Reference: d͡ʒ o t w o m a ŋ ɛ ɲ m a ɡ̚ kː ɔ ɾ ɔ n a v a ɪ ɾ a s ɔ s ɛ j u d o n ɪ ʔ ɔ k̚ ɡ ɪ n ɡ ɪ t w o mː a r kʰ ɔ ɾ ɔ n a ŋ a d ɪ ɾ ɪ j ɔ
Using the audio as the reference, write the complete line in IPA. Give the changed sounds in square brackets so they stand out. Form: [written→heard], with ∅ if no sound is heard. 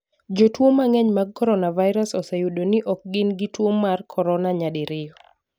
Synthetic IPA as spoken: d͡ʒ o t w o m a ŋ ɛ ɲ m a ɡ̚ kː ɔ ɾ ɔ n a v a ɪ ɾ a s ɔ s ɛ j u d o n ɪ ʔ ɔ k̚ ɡ ɪ n ɡ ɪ t w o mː a r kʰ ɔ ɾ ɔ n a [ŋ→ɲ] a d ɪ ɾ ɪ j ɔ